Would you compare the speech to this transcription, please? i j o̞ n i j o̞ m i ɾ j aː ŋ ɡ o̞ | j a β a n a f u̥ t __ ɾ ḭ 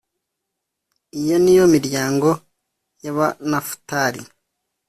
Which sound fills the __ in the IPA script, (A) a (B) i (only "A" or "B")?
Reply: A